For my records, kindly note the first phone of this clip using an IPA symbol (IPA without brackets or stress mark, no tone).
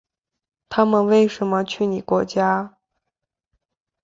t̪ʰ